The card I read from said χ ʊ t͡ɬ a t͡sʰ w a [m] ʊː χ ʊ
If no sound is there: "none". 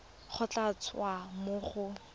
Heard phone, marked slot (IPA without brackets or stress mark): m